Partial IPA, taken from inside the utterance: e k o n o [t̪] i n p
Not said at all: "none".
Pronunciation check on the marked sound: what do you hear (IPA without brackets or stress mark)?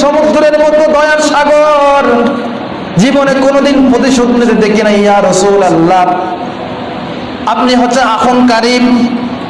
d̪